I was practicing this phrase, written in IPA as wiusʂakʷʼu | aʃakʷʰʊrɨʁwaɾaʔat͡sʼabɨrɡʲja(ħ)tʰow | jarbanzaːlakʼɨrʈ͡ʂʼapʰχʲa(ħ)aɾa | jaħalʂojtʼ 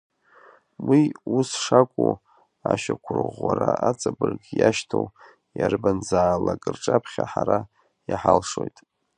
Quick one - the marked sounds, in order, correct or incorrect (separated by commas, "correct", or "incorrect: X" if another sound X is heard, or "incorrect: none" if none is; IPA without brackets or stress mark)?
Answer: incorrect: ʃ, correct